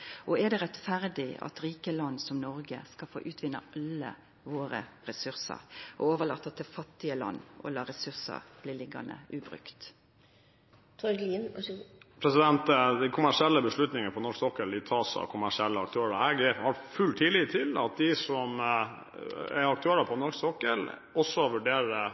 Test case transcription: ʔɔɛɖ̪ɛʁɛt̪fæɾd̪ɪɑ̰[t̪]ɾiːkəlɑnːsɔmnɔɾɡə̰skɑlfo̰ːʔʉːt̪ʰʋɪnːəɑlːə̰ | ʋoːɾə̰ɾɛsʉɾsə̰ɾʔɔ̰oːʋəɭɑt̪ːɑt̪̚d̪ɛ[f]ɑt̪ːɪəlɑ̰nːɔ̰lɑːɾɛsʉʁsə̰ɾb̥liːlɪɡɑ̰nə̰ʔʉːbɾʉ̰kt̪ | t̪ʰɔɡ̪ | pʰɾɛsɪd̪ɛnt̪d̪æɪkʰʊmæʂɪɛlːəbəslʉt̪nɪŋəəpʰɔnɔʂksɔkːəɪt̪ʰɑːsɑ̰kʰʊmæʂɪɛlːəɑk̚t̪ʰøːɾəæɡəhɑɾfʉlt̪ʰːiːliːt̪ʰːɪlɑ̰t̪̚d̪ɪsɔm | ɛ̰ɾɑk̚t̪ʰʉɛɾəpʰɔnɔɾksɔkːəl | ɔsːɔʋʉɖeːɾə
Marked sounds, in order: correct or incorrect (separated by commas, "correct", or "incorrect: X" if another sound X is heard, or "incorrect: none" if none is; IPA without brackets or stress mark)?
correct, correct